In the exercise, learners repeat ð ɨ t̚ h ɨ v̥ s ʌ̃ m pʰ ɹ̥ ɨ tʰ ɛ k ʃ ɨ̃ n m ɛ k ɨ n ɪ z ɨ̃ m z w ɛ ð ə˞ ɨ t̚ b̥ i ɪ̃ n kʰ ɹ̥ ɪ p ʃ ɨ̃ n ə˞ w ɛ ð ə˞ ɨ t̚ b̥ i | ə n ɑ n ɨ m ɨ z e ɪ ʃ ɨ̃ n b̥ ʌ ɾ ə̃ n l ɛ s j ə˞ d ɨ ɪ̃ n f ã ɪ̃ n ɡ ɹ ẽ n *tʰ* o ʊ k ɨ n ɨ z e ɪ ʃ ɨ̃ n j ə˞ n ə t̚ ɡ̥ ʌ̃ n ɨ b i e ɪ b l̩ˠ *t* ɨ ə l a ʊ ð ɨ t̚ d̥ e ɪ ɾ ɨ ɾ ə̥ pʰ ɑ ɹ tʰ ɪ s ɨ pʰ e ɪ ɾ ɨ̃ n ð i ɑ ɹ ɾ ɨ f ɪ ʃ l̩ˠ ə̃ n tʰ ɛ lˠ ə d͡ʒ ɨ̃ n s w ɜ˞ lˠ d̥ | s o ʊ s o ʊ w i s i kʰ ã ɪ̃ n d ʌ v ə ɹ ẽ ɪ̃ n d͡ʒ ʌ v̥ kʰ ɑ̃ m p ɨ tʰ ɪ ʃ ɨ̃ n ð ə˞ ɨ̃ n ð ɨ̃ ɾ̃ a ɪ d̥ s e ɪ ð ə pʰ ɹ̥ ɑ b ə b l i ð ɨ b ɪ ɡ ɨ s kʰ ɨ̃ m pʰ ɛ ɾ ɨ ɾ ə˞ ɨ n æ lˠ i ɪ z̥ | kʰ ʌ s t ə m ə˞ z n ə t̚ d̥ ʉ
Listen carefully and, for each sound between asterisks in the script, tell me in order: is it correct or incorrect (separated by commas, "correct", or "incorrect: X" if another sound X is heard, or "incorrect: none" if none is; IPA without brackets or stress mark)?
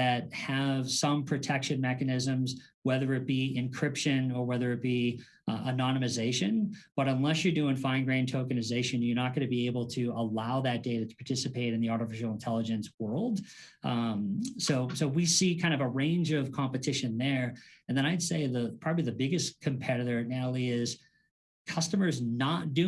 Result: correct, incorrect: tʰ